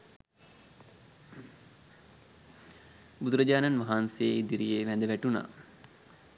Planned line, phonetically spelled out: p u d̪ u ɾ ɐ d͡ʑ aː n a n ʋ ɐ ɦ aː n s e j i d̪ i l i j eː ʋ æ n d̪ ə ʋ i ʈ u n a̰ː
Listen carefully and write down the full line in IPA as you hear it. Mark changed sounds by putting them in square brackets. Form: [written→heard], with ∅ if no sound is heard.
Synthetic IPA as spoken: [p→b] u d̪ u ɾ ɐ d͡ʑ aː n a n ʋ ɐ ɦ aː n s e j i d̪ i [l→ɾ] i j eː ʋ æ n d̪ ə ʋ [i→æ] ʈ u n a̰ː